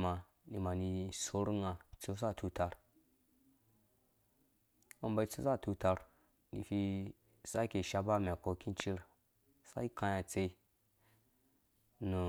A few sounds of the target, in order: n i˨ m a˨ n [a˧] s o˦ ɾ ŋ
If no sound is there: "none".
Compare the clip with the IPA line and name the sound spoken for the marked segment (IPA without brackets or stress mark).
i˧